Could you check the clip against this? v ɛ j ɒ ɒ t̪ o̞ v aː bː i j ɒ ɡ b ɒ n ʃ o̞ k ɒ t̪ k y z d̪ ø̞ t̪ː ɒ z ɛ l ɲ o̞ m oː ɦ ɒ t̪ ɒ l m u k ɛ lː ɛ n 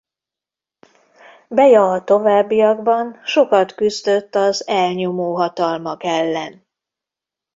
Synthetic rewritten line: b ɛ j ɒ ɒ t̪ o̞ v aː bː i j ɒ ɡ b ɒ n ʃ o̞ k ɒ t̪ k y z d̪ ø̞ t̪ː ɒ z ɛ l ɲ o̞ m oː ɦ ɒ t̪ ɒ l m ɒ k ɛ lː ɛ n